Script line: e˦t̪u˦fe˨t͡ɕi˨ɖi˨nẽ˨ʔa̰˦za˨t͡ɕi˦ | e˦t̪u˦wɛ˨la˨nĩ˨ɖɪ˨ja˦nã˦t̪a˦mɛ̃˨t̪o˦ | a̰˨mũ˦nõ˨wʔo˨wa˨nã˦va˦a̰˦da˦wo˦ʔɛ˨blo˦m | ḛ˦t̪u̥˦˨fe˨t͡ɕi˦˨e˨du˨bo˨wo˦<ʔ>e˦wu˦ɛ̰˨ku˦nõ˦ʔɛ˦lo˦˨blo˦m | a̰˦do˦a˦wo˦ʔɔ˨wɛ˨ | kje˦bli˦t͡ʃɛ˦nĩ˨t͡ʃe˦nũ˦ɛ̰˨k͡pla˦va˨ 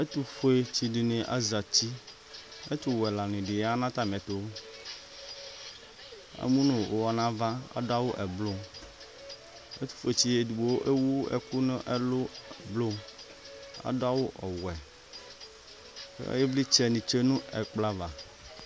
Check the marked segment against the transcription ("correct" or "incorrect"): correct